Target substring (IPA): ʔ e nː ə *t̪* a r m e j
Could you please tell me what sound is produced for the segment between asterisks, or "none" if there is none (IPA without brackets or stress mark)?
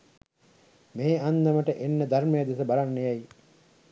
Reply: d̪